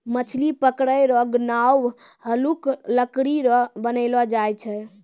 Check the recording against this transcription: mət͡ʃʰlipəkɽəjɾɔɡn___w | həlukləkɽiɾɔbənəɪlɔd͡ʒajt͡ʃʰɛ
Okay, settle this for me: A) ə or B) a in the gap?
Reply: B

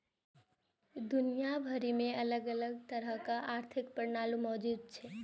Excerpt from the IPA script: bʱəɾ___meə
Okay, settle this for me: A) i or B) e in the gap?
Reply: A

